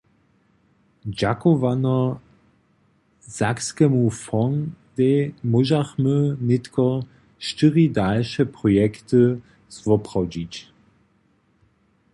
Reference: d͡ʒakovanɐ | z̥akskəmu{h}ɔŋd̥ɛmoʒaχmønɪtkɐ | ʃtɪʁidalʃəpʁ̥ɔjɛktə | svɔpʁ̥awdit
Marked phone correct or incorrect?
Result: incorrect